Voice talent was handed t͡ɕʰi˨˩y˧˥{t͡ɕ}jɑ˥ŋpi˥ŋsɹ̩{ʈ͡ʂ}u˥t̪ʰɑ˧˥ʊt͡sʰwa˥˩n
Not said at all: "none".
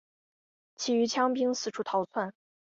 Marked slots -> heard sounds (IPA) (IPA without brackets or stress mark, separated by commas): t͡ɕʰ, ʈ͡ʂʰ